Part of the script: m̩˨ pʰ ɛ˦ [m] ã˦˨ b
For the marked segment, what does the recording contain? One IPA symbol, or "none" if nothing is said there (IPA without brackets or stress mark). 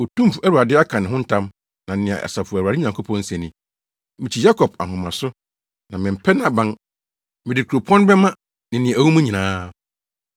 n